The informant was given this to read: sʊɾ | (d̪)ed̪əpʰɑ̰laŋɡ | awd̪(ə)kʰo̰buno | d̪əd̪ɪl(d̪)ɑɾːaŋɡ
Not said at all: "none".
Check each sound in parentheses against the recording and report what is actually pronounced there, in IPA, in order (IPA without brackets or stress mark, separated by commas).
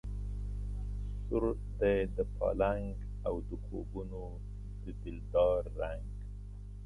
d̪, ə, d̪